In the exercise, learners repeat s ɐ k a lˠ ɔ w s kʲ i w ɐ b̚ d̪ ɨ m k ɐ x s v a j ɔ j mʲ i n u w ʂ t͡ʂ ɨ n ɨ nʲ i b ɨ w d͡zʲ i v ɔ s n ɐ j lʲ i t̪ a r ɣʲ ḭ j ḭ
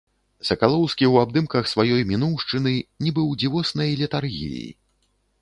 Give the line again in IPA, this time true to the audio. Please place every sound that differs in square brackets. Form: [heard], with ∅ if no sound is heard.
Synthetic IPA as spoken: s ɐ k a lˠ ɔ w s kʲ i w [a] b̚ d̪ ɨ m k ɐ x s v a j ɔ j mʲ i n u w ʂ t͡ʂ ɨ n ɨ nʲ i b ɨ w d͡zʲ i v ɔ s n ɐ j lʲ i t̪ a r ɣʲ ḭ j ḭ